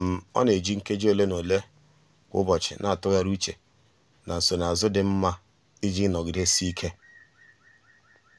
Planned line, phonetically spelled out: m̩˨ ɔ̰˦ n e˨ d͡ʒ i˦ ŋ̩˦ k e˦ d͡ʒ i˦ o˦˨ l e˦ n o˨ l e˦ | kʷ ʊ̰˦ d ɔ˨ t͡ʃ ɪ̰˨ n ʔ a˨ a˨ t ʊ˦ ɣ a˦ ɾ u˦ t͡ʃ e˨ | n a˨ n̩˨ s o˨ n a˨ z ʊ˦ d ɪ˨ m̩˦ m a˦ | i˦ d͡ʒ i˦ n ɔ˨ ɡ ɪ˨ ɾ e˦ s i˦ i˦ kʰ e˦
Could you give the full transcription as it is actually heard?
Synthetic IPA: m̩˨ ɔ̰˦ n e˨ d͡ʒ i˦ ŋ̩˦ k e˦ d͡ʒ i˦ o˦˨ l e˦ n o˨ l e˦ | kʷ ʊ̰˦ b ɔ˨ t͡ʃ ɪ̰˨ n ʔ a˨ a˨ t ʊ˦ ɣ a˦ ɾ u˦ t͡ʃ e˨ | n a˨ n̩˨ s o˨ n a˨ z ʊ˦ d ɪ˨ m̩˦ m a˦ | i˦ d͡ʒ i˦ n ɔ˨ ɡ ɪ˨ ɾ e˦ s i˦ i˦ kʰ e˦